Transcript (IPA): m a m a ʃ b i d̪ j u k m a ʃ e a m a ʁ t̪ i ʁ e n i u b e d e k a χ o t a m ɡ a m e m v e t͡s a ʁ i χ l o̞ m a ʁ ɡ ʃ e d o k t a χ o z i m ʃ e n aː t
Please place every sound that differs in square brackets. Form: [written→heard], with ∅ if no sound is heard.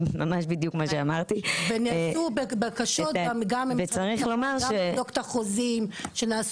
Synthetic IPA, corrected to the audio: m a m a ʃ b i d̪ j u k m a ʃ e a m a ʁ t̪ i [ʁ→v] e n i u b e [d→b] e k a [χ→ʃ] o t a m ɡ a m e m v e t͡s a ʁ i χ l o̞ m a ʁ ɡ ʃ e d o k t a χ o z i m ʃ e n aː [t→s]